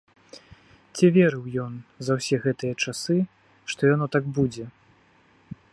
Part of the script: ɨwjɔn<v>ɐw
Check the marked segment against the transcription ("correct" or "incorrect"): incorrect